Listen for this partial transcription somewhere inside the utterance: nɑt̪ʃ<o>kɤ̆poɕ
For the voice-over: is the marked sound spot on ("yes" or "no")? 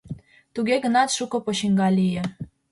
no